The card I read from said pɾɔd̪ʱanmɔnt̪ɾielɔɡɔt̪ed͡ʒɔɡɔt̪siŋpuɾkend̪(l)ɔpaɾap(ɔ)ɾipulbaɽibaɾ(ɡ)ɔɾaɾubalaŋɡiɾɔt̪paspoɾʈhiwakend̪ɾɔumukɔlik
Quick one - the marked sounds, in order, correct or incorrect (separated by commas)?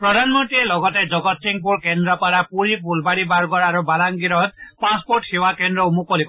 incorrect, incorrect, correct